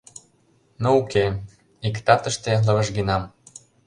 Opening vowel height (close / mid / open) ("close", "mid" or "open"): mid